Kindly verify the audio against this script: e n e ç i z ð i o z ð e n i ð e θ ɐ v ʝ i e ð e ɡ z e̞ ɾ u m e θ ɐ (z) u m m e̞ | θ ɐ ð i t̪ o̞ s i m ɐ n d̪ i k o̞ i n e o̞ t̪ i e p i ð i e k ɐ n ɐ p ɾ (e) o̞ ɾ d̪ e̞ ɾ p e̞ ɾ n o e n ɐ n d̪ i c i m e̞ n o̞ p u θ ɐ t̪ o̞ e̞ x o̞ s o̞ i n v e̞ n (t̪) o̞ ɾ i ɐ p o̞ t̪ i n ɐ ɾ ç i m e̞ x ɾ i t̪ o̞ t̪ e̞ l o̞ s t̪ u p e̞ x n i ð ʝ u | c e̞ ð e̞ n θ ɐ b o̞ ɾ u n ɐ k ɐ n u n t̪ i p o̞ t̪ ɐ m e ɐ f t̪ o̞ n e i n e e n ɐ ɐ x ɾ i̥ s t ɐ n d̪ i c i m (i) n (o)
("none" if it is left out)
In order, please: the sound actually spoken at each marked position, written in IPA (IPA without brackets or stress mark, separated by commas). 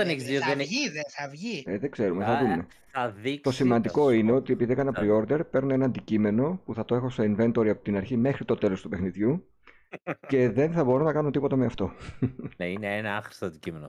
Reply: ð, i, t̪, e, o